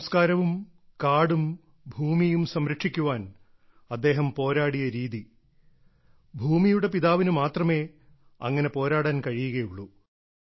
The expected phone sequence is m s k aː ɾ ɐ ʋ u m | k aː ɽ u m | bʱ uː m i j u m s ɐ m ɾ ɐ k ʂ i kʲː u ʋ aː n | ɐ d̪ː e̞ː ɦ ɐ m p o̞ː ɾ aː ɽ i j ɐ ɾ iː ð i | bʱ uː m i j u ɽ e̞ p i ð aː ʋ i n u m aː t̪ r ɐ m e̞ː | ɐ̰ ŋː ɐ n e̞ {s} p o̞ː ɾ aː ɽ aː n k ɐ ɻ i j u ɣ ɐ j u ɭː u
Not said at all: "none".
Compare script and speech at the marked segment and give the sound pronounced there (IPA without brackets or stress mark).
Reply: none